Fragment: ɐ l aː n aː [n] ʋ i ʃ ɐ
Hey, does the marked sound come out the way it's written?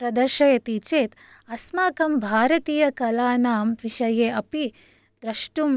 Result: no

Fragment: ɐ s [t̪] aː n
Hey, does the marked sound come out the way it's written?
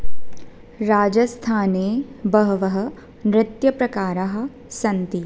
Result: no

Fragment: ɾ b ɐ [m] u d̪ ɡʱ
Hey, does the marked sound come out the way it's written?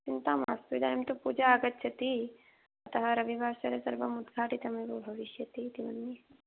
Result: yes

